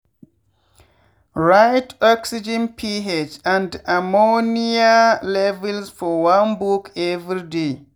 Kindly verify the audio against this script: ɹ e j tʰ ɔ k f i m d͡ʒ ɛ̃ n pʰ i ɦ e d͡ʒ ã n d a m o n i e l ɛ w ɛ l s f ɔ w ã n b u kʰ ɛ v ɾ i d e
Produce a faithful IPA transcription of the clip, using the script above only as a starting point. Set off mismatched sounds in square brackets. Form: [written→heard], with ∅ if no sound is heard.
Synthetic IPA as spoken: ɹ [e→a] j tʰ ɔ k [f→s] i [m→∅] d͡ʒ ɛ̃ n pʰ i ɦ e d͡ʒ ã n d a m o n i [e→a] l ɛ [w→v] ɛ l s f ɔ w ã n b u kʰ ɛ v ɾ i d e